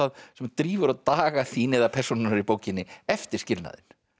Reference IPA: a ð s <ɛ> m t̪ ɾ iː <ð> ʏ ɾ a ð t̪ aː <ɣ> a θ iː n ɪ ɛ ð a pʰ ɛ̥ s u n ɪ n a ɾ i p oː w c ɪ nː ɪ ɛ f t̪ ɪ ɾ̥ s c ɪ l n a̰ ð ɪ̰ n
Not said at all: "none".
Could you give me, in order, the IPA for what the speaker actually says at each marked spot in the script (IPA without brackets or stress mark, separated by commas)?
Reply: ɛ, v, ɣ